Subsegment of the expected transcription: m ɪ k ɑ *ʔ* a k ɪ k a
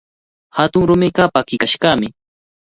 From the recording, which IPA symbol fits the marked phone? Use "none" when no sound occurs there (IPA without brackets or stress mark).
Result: p